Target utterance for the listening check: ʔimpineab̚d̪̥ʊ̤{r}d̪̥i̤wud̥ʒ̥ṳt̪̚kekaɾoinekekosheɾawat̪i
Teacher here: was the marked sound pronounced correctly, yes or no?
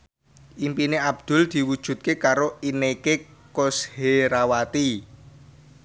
no